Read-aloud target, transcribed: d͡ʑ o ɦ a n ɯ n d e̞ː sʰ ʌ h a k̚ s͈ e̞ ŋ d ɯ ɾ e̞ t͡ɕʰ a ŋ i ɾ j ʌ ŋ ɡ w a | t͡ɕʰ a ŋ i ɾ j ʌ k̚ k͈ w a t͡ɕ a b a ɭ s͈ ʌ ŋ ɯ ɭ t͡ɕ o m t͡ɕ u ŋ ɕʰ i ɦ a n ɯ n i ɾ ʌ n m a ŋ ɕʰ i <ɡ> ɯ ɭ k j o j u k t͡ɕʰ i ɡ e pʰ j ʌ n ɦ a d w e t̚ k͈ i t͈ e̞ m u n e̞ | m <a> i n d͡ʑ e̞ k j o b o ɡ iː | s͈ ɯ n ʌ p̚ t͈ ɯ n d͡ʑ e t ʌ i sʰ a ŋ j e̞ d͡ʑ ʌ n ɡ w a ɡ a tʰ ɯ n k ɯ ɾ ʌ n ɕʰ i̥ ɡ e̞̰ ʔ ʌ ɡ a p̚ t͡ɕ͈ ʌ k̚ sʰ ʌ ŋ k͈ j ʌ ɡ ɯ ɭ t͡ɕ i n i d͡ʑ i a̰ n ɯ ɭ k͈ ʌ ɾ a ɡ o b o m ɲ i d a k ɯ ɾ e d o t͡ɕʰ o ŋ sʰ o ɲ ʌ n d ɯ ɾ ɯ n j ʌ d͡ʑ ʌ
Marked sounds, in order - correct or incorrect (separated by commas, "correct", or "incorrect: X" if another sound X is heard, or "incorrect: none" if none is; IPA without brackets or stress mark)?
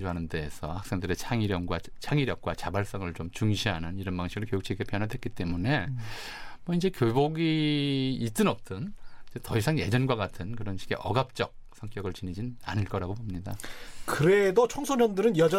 correct, incorrect: ʌ